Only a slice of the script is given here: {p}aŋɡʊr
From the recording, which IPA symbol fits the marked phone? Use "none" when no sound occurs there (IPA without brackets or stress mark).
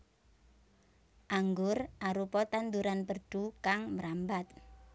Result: ʔ